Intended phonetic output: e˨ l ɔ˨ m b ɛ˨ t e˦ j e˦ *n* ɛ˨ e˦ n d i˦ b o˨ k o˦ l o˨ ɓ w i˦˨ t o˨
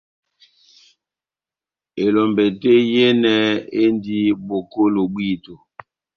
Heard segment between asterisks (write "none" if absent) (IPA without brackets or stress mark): n